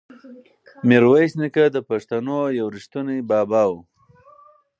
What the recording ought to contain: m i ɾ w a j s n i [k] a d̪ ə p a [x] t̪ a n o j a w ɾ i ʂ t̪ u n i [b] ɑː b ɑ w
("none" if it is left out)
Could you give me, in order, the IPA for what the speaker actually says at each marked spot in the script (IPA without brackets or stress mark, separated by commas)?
k, ʂ, b